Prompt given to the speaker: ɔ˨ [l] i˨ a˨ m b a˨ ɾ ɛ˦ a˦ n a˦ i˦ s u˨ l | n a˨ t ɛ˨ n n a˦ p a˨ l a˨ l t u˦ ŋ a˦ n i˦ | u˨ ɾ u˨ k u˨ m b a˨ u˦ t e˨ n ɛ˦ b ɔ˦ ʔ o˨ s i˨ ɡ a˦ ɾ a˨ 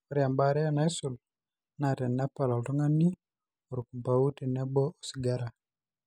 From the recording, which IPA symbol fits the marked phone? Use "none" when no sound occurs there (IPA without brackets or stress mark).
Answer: ɾ